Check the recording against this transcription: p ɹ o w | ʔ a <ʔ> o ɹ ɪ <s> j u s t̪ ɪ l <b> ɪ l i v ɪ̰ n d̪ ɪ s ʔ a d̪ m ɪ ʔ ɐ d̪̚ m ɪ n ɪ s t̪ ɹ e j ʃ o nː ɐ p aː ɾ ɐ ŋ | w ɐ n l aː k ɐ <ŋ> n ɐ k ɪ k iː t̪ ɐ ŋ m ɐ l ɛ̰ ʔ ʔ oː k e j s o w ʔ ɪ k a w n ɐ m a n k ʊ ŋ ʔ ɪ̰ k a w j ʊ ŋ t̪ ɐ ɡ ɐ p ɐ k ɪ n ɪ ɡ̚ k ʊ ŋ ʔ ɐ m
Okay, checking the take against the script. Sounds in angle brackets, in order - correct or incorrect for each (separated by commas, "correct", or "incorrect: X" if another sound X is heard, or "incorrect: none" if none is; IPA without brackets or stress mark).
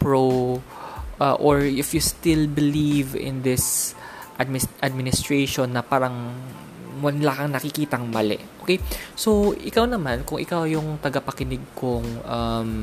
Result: correct, incorrect: f, correct, correct